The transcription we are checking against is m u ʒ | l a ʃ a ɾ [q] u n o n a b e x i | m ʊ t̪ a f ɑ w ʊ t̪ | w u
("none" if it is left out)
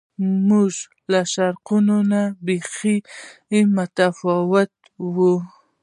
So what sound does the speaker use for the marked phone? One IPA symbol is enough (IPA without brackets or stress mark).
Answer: q